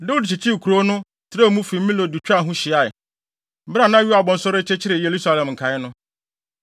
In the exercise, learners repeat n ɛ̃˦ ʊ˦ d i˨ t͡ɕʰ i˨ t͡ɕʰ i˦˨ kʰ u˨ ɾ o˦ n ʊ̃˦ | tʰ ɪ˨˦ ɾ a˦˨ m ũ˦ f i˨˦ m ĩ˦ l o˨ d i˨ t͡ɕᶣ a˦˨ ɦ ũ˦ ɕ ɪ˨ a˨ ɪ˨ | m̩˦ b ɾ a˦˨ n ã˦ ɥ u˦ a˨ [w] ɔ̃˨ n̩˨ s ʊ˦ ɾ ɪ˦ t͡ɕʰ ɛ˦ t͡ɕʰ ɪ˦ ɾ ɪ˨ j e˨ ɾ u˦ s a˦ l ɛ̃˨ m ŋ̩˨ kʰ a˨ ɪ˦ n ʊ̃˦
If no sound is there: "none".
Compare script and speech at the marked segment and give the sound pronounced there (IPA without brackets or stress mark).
b